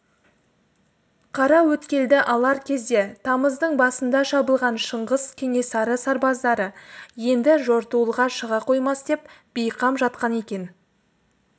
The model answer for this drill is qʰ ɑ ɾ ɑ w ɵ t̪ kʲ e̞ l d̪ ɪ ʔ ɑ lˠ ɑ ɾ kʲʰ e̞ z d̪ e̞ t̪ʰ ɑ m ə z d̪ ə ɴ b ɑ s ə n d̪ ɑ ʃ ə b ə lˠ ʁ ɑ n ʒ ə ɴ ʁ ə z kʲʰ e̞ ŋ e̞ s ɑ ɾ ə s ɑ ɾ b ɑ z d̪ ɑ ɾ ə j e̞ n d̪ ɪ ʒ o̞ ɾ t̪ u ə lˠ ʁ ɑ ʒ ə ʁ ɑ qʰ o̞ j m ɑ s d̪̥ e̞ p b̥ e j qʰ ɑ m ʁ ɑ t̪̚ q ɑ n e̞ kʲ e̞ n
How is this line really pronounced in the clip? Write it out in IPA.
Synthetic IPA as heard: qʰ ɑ ɾ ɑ w ɵ t̪ kʲ e̞ l d̪ ɪ ʔ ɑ lˠ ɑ ɾ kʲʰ e̞ z d̪ e̞ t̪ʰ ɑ m ə z d̪ ə ɴ b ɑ s ə n d̪ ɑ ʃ ɑ b ə lˠ ʁ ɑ n ʃ ə ɴ ʁ ə z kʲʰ e̞ ŋ e̞ s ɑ ɾ ə s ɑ ɾ b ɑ z d̪ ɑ ɾ ə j e̞ n d̪ ɪ ʒ o̞ ɾ t̪ u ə lˠ ʁ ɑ ʃ ə ʁ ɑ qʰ o̞ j m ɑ s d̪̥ e̞ p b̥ e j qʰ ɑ m ʒ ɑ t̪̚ q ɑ n e̞ kʲ e̞ n